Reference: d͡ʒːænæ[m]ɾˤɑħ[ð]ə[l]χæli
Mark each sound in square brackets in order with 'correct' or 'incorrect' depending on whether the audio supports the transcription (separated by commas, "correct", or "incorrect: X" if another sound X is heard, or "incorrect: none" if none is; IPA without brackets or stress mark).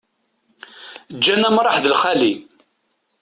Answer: correct, correct, correct